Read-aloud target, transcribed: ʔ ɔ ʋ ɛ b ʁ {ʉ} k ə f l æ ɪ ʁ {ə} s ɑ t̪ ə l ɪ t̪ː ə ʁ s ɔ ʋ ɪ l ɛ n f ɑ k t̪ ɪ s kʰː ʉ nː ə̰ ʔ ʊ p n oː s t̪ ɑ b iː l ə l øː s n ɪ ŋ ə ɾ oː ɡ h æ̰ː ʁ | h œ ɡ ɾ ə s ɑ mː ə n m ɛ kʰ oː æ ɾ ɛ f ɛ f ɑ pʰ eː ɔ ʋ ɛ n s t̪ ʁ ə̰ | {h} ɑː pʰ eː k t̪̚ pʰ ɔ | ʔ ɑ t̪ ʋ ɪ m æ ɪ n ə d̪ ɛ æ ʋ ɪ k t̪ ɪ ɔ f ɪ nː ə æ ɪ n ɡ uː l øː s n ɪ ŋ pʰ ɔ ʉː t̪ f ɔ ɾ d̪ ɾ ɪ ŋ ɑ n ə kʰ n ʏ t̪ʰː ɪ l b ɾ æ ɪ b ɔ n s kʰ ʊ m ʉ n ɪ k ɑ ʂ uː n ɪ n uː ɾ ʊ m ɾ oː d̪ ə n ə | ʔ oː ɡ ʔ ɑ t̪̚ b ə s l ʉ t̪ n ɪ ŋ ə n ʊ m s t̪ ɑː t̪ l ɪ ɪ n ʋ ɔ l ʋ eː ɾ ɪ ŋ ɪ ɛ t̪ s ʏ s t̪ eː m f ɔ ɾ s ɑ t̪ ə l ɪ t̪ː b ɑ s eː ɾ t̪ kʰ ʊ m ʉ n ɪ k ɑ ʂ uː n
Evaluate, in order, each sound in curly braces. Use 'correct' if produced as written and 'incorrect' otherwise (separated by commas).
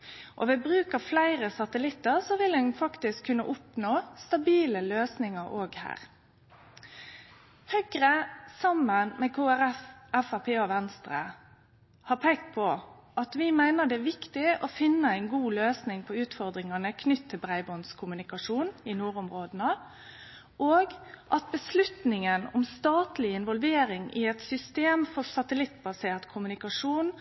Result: incorrect, correct, correct